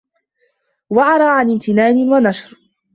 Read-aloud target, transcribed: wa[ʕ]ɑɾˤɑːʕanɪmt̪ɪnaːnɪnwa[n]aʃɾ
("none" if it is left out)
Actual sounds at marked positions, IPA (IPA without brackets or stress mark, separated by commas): ʕ, n